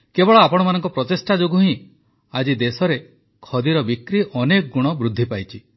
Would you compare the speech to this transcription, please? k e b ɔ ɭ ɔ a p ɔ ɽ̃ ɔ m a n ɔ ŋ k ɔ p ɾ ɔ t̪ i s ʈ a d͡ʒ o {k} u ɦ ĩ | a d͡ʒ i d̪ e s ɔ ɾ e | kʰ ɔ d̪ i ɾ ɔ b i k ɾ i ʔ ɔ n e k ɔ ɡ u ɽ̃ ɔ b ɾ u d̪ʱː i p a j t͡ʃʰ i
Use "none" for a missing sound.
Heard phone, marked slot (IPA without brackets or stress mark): ɡ